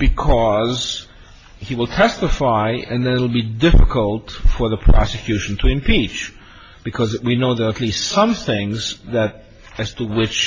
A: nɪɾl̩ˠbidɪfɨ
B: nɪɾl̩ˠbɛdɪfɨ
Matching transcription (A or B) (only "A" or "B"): A